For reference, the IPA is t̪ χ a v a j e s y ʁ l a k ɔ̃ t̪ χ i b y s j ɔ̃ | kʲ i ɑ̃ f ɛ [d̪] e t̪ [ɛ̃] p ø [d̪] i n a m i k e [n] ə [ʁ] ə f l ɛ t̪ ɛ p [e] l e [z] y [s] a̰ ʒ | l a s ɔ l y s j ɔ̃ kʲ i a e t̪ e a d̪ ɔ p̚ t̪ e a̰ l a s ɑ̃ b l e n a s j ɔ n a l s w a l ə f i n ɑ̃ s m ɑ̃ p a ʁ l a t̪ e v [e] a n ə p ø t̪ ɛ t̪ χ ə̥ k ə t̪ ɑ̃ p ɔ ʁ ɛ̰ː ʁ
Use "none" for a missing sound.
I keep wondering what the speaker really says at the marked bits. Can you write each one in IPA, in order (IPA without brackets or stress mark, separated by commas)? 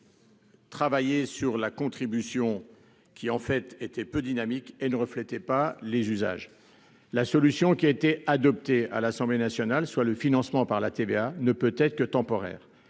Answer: t̪, ɛ, d̪, n, ʁ, a, z, z, e